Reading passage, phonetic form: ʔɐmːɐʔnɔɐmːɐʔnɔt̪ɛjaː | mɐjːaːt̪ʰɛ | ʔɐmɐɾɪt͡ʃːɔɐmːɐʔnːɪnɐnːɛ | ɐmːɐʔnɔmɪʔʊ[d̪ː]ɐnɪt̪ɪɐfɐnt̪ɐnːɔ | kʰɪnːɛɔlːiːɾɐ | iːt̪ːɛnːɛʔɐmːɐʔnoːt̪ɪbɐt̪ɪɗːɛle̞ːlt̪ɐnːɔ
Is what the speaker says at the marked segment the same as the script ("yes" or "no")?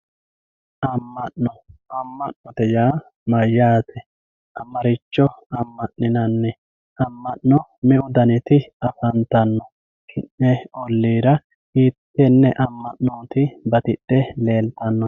no